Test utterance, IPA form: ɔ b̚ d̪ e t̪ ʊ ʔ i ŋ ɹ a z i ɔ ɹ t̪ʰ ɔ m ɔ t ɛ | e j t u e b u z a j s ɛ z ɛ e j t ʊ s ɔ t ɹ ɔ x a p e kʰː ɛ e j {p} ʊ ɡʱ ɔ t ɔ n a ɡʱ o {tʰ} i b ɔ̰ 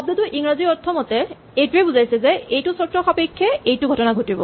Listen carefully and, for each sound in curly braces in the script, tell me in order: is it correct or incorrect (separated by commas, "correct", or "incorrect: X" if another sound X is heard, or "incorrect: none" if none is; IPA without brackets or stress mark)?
incorrect: t, incorrect: t